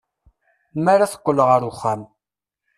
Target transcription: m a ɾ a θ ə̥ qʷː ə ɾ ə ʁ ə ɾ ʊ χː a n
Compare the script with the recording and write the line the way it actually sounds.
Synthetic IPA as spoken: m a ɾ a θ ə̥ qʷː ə l ə ʁ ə ɾ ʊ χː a m